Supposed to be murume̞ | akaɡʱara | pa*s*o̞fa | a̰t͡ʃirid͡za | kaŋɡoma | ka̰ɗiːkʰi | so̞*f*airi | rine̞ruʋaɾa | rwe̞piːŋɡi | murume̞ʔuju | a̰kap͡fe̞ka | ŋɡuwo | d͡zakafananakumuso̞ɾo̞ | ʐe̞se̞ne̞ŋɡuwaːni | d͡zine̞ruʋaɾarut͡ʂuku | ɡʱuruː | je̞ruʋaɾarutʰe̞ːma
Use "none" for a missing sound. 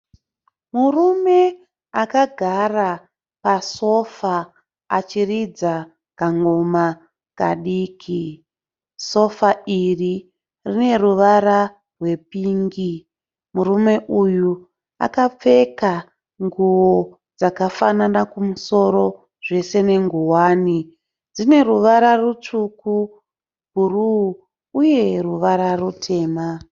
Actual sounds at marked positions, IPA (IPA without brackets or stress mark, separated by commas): s, f